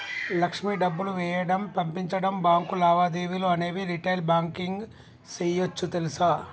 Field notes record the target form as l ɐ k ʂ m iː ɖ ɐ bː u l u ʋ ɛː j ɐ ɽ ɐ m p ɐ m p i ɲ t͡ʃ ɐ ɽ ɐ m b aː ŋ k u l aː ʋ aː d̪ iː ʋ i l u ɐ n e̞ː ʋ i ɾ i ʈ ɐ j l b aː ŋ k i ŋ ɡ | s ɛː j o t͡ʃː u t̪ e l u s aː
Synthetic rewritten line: l ɐ k ʂ m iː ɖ ɐ bː u l u ʋ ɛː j ɐ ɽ ɐ m p ɐ m p i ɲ t͡ʃ ɐ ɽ ɐ m b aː ŋ k u l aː ʋ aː d̪ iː ʋ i l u ɐ n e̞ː ʋ i ɾ i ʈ ɐ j l b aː ŋ k i ŋ ɡ | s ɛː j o t͡ʃː u t̪ e l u s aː